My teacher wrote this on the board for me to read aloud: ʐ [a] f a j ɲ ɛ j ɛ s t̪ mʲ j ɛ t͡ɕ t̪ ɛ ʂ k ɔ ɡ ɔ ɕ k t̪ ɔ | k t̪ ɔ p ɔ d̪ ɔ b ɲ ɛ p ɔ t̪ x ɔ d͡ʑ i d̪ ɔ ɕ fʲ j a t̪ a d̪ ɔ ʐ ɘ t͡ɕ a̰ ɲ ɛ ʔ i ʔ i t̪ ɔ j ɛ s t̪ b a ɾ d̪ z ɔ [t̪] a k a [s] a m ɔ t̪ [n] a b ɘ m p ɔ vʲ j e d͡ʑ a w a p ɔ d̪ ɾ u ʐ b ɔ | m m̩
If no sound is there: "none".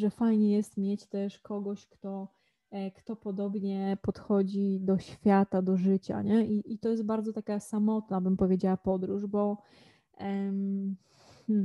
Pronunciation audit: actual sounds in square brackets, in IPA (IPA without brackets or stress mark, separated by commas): ɛ, t̪, s, n